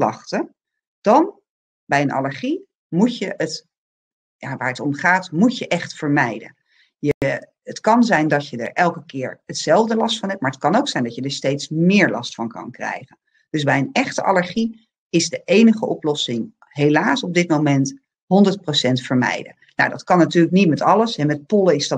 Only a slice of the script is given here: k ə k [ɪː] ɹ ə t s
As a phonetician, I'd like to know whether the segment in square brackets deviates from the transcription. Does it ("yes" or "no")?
no